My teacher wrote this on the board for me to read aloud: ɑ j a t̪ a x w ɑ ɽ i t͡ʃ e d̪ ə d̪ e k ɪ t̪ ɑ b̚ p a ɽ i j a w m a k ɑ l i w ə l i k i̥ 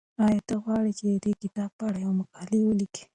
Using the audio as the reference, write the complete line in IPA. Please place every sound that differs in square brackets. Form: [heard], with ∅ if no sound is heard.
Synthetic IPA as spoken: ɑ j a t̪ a [ɣ] w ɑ ɽ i t͡ʃ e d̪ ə d̪ e k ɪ t̪ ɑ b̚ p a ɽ [a] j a w m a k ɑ l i w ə l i k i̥